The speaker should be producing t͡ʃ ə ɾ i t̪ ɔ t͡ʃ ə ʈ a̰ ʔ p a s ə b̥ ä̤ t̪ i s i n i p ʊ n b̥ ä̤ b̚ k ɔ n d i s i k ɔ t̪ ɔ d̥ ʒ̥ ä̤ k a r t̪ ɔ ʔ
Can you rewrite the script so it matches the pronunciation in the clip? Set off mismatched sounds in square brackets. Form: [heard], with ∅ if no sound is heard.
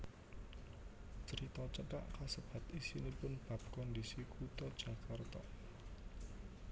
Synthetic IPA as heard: t͡ʃ ə ɾ i t̪ ɔ t͡ʃ ə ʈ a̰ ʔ [k] a s ə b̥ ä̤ t̪ i s i n i p ʊ n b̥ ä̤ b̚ k ɔ n d i s i k [u] t̪ ɔ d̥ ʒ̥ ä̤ k a r t̪ ɔ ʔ